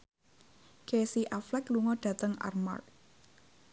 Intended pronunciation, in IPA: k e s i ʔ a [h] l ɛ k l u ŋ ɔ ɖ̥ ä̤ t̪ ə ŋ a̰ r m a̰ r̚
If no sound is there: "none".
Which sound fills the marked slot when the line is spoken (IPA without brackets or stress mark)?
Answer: f